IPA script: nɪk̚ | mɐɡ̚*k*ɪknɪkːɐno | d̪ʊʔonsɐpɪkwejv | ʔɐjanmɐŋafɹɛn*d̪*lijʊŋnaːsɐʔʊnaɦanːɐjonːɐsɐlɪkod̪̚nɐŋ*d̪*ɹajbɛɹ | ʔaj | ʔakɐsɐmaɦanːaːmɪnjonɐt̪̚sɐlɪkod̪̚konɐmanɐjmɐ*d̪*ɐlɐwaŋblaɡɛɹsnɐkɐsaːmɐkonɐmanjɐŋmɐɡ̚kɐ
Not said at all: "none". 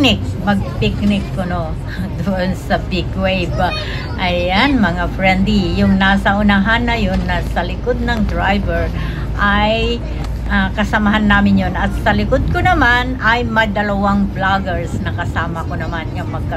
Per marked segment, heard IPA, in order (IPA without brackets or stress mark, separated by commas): p, d̪, d̪, d̪